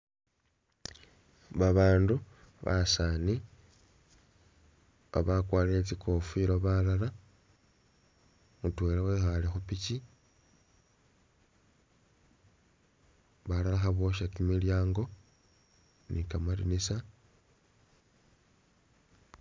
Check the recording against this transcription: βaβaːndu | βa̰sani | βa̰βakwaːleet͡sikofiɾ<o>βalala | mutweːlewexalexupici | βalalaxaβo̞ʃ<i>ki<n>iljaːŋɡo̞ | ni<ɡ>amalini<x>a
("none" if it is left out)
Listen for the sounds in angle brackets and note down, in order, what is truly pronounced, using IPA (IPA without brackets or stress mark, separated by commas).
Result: o, a, m, k, s